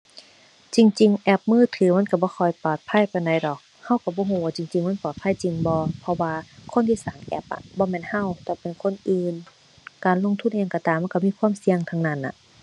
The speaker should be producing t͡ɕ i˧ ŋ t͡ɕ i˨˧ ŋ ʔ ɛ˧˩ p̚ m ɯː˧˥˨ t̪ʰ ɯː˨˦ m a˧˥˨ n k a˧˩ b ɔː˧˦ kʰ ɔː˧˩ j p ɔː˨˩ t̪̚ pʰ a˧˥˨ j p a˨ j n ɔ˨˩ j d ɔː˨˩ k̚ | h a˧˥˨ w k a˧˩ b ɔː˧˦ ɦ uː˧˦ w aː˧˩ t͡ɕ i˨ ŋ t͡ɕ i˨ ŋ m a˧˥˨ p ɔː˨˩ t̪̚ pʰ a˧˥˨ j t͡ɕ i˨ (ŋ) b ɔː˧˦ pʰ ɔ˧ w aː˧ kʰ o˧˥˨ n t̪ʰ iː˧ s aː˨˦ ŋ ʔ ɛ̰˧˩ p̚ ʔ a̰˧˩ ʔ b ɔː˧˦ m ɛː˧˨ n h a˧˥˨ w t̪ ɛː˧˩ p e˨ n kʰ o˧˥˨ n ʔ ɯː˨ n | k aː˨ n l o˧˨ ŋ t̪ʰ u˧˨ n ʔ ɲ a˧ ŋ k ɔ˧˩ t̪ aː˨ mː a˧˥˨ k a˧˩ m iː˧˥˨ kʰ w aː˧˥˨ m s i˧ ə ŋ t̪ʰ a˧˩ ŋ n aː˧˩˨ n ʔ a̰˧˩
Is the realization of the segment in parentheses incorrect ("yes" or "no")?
no